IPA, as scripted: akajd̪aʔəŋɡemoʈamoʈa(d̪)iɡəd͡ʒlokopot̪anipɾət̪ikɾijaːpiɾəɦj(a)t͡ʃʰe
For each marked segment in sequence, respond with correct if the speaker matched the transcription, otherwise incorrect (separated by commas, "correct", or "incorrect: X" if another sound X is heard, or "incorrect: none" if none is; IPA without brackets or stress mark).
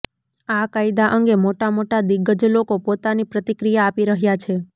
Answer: correct, correct